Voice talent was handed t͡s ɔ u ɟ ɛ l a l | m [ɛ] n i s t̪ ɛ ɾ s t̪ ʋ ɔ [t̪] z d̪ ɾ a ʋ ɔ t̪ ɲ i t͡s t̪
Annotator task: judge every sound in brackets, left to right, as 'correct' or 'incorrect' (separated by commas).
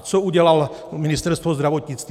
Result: incorrect, incorrect